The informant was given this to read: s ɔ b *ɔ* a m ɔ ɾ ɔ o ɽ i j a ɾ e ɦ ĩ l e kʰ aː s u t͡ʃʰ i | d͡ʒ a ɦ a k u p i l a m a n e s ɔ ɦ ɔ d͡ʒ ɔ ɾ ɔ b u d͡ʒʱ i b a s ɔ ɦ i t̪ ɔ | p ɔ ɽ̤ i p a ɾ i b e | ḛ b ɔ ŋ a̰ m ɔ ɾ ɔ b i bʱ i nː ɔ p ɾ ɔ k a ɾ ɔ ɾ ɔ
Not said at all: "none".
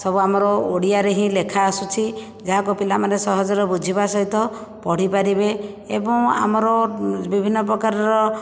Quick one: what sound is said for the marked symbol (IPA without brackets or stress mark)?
u